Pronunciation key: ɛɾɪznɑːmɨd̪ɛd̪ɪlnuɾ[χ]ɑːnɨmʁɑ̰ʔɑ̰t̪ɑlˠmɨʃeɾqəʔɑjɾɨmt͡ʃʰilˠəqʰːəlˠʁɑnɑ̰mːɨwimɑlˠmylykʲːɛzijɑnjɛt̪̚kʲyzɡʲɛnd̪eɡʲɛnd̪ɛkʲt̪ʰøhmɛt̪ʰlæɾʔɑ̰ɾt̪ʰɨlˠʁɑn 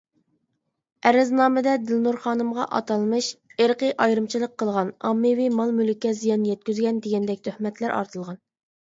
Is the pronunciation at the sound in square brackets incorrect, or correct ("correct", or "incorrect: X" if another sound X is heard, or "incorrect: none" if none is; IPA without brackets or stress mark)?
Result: correct